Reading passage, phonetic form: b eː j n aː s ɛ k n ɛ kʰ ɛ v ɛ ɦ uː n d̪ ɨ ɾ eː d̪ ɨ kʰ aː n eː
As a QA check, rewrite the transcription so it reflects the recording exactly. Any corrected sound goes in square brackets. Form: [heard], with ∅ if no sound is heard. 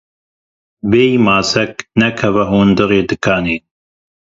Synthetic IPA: b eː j [m] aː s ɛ k n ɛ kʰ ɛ v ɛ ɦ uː n d̪ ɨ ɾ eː d̪ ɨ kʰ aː n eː